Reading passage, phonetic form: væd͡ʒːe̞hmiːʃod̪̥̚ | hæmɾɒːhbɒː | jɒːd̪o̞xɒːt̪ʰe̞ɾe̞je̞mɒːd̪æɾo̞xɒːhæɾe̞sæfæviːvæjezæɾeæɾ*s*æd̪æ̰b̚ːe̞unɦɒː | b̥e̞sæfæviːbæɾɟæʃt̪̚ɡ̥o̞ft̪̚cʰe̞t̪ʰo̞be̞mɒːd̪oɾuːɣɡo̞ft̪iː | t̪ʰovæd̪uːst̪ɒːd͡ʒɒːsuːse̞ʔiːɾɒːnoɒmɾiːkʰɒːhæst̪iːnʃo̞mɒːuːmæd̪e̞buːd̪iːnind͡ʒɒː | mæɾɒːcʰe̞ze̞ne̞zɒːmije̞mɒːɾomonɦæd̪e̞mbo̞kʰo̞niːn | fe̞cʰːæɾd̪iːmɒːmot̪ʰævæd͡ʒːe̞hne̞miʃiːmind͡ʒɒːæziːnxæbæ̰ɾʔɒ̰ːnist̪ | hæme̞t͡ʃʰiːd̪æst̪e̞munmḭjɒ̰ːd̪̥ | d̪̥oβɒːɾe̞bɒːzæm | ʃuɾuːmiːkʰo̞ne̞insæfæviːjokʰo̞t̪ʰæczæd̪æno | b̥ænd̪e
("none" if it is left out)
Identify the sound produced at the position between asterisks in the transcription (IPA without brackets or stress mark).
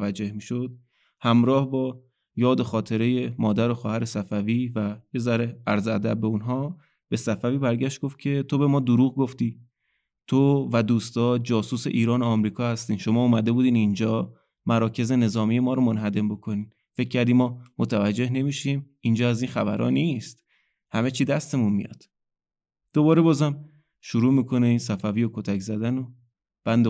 z